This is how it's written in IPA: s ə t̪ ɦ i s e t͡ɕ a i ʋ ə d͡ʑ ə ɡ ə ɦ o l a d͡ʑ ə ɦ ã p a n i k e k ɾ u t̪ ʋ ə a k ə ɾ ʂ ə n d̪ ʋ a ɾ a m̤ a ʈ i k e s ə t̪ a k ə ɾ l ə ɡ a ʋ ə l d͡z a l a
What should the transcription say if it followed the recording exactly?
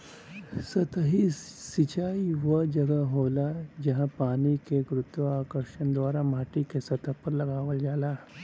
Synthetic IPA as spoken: s ə t̪ ɦ i s i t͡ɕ a i ʋ ə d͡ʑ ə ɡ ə ɦ o l a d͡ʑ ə ɦ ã p a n i k e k ɾ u t̪ ʋ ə a k ə ɾ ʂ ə n d̪ ʋ a ɾ a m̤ a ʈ i k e s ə t̪ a p ə ɾ l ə ɡ a ʋ ə l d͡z a l a